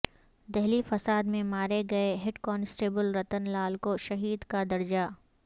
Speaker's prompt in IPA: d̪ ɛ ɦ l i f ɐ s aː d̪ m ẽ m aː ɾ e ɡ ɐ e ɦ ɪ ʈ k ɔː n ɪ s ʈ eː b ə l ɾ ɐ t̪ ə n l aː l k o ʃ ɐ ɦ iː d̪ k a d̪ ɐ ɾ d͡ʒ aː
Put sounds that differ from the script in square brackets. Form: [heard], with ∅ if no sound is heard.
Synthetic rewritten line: d̪ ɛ ɦ l i f ɐ s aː d̪ m ẽ m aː ɾ e ɡ ɐ e ɦ ɪ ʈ k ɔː n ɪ s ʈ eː b ə l ɾ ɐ t̪ ə n l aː l k o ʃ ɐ ɦ iː d̪ k a d̪ ɐ ɾ d͡ʒ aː